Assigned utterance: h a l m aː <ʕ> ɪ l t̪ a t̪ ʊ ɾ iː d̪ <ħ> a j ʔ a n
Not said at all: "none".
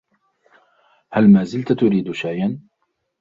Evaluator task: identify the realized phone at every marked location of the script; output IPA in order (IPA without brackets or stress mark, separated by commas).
z, ʃ